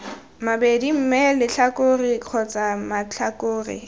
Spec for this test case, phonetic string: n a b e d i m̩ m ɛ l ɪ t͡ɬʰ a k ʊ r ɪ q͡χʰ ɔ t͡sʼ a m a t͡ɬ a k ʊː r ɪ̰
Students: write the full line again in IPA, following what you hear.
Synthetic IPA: m a b e d i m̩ m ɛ l ɪ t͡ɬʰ a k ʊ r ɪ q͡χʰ ɔ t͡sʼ a m a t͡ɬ a k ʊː r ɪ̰